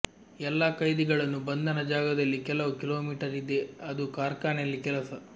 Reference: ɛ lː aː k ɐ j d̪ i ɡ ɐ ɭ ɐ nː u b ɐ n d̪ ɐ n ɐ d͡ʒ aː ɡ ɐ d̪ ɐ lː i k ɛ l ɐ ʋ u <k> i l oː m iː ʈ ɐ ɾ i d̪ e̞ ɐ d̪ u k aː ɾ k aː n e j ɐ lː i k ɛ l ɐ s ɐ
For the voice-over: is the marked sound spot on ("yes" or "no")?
yes